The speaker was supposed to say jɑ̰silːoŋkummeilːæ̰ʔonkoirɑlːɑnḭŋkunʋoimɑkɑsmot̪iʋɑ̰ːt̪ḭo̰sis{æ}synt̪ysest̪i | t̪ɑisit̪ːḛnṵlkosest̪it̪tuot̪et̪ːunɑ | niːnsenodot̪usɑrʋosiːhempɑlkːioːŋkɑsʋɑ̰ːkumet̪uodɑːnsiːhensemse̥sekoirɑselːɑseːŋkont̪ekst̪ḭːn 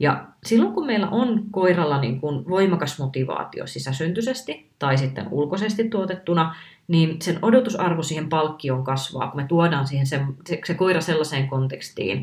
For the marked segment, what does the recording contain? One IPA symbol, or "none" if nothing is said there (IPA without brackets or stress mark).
æ